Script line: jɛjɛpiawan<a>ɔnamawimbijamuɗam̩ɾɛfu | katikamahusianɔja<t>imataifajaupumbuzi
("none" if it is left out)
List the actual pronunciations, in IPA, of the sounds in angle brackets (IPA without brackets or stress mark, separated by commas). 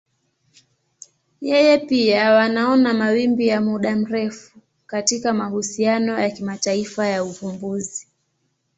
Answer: a, k